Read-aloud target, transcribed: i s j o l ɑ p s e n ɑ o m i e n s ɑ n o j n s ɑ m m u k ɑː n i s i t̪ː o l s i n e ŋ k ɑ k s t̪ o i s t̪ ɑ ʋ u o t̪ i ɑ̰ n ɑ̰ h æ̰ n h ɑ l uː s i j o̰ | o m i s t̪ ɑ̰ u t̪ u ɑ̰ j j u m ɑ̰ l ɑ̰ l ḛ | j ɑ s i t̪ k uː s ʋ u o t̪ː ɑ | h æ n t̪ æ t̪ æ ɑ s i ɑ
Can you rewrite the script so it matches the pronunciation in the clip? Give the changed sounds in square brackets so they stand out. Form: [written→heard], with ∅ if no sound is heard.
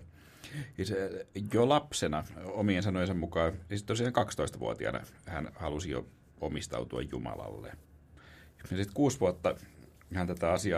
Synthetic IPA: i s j o l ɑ p s e n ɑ o m i e n s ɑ n o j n s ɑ m m u k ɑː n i s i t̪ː o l s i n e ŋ k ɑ k s t̪ o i s t̪ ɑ ʋ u o t̪ i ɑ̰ n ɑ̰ h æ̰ n h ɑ l [uː→u] s i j o̰ | o m i s t̪ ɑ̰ u t̪ u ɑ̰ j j u m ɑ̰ l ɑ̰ [l→lː] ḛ | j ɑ s i t̪ k uː s ʋ u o t̪ː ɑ | h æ n t̪ æ t̪ æ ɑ s i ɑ